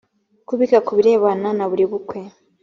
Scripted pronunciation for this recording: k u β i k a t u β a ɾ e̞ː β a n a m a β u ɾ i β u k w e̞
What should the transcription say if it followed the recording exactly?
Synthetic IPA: k u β i k a k u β i ɾ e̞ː β a n a n a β u ɾ i β u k w e̞